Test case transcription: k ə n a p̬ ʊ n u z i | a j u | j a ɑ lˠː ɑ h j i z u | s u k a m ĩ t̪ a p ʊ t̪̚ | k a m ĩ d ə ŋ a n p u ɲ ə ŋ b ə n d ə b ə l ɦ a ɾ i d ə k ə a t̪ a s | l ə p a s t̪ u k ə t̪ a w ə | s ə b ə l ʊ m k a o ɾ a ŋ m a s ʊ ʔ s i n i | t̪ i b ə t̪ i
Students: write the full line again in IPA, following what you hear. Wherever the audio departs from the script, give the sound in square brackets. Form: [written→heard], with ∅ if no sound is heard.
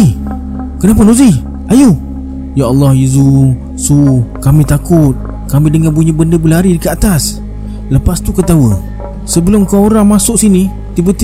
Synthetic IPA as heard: k ə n a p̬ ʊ n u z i | a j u | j a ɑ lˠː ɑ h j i z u | s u k a m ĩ t̪ a [p→k] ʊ t̪̚ | k a m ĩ d ə ŋ a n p u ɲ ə [ŋ→∅] b ə n d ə b ə l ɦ a ɾ i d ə k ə a t̪ a s | l ə p a s t̪ u k ə t̪ a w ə | s ə b ə l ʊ m k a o ɾ a ŋ m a s ʊ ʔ s i n i | t̪ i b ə t̪ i